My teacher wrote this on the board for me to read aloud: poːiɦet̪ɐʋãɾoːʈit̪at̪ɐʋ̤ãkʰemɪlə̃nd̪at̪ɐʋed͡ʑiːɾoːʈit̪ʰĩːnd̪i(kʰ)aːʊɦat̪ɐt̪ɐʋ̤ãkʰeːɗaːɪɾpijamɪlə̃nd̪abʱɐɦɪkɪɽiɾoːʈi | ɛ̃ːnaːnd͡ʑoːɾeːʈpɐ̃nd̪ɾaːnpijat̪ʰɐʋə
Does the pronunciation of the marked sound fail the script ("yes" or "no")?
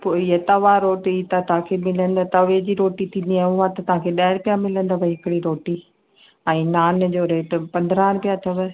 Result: yes